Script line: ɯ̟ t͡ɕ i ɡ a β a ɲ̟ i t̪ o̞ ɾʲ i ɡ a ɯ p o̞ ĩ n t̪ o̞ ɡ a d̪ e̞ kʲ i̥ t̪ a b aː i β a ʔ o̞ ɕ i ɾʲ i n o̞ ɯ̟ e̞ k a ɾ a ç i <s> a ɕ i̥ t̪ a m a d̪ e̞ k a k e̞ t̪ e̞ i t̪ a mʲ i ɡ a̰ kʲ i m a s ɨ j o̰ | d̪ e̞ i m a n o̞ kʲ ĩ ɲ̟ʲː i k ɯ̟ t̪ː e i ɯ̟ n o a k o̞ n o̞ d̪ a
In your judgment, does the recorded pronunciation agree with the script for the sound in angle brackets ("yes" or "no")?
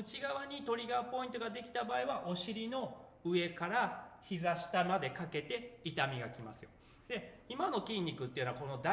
no